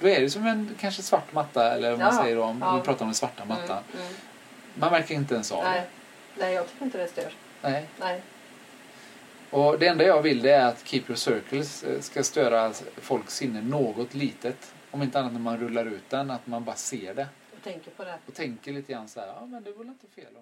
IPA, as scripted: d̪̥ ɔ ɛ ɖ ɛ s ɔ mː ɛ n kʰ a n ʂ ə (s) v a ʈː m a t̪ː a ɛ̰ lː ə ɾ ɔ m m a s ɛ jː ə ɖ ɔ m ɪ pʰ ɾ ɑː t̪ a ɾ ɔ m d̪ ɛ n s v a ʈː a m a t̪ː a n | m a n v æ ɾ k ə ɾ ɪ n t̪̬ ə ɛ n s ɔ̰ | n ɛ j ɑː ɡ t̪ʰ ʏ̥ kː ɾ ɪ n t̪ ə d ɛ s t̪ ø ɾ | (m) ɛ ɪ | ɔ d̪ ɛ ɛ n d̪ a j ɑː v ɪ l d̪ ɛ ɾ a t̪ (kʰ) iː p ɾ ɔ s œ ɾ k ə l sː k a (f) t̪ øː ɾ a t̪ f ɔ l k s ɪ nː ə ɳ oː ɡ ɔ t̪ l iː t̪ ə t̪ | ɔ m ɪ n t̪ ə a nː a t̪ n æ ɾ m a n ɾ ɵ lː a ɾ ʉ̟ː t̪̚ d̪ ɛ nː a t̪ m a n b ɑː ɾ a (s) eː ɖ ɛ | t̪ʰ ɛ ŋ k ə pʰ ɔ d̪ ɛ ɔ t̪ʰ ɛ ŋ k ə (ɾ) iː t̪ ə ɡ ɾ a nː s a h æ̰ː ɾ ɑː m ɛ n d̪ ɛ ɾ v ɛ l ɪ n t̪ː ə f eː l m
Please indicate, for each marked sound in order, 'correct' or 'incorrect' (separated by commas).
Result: correct, incorrect, correct, incorrect, correct, incorrect